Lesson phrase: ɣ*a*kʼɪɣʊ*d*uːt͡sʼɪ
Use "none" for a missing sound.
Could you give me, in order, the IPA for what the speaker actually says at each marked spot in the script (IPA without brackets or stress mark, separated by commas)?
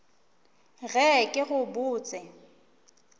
ɛ, b